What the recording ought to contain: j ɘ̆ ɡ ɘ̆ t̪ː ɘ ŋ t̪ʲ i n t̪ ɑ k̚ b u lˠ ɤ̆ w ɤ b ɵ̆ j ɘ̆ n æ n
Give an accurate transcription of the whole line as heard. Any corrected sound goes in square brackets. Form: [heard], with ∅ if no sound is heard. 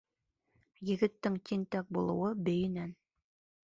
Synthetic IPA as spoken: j ɘ̆ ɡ ɘ̆ t̪ː ɘ ŋ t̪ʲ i n t̪ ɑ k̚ b u lˠ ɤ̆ w ɤ b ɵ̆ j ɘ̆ n æ n